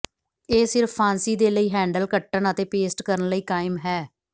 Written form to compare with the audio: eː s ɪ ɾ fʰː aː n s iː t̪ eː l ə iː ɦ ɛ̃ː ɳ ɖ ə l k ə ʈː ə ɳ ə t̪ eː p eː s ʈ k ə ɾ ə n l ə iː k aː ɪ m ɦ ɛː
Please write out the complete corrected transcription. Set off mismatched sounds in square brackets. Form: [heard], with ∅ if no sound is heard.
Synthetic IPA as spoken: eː s ɪ ɾ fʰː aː n s iː [d̪] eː l ə iː ɦ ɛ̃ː ɳ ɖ ə l k ə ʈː ə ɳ ə t̪ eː p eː s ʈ k ə ɾ ə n l ə iː k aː ɪ m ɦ ɛː